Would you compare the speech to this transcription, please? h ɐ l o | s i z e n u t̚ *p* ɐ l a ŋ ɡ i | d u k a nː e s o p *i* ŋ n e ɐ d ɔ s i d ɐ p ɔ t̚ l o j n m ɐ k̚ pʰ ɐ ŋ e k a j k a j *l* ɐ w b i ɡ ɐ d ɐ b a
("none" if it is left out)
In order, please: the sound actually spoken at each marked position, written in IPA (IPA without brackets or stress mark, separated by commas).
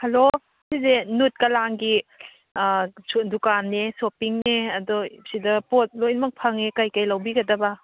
k, i, l